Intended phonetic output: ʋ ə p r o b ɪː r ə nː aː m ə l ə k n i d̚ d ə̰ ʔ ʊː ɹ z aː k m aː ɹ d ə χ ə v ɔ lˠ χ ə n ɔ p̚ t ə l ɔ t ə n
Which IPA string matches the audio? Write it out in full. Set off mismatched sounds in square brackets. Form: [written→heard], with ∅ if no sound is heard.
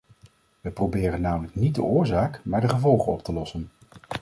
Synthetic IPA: ʋ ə p r o b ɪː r ə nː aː m ə l ə k n i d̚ d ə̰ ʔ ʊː ɹ z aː k m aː ɹ d ə χ ə v ɔ lˠ χ ə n ɔ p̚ t ə l ɔ [t→s] ə n